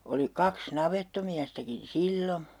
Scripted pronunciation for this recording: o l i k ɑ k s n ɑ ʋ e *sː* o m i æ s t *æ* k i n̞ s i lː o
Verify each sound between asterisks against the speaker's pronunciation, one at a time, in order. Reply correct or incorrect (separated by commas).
incorrect, correct